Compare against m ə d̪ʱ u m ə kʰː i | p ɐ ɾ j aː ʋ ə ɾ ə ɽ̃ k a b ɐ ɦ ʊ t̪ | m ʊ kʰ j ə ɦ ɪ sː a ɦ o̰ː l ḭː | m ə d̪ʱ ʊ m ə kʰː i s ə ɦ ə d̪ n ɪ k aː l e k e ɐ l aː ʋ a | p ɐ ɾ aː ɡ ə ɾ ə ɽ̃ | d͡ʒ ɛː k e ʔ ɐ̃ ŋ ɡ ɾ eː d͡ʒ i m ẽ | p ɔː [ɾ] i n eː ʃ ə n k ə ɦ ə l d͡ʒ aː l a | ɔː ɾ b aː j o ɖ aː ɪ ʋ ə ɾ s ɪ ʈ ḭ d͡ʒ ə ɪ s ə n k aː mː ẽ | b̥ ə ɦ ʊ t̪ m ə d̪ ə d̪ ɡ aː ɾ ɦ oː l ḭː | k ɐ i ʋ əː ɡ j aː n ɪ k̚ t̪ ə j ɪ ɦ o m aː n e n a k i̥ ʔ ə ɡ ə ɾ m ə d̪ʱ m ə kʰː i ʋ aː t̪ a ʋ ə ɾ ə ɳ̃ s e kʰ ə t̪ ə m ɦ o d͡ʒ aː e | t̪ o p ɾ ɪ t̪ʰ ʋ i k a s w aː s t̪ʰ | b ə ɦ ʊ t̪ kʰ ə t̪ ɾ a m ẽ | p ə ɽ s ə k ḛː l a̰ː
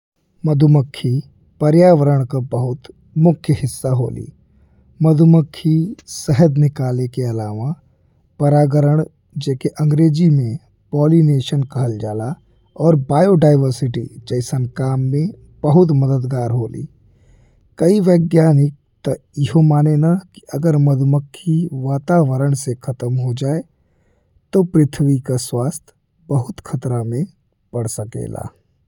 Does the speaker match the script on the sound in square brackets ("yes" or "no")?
no